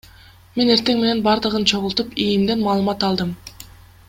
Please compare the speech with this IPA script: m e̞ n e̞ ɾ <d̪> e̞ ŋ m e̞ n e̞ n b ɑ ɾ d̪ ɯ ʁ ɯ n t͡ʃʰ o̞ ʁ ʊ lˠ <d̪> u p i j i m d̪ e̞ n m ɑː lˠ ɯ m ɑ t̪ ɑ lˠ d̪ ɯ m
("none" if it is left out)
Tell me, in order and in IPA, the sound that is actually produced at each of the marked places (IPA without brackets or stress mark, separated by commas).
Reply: t̪, t̪